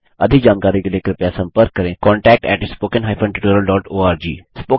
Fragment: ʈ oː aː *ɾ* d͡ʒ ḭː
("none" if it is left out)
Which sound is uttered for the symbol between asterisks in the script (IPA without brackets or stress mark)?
ɾ